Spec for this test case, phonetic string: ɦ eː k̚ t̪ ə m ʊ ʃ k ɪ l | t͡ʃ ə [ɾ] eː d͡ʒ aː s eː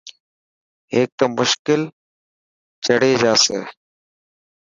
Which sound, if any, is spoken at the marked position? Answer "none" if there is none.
ɽ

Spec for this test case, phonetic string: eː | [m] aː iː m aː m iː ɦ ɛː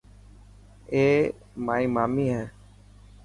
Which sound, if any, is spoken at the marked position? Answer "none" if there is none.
m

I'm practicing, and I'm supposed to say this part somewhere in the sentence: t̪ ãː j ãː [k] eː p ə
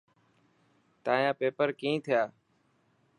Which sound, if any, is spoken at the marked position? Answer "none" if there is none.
p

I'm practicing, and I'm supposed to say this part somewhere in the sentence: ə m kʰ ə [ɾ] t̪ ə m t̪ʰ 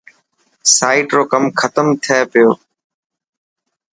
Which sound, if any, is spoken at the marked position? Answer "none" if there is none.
none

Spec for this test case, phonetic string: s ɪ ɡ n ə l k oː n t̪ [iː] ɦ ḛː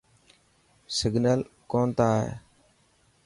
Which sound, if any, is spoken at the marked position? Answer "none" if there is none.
aː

